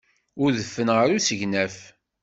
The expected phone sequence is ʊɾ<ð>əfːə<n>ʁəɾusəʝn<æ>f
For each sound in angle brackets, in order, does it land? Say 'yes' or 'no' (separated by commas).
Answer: yes, yes, yes